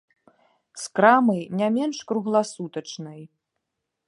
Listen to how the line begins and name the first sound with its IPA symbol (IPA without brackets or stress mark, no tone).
s